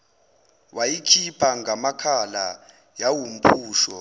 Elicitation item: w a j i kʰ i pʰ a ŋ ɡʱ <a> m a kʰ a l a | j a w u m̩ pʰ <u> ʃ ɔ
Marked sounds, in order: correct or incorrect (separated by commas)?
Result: correct, incorrect